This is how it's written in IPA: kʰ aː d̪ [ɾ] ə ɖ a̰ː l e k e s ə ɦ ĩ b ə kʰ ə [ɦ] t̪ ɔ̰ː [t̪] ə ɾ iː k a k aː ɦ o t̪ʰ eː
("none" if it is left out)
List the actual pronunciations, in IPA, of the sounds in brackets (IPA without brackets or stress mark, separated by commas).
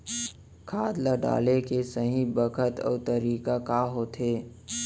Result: l, none, t̪